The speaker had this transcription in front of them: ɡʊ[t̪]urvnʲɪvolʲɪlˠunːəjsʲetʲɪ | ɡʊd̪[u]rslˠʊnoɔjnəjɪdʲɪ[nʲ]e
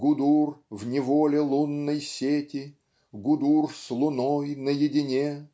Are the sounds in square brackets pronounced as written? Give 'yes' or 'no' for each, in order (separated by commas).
no, yes, yes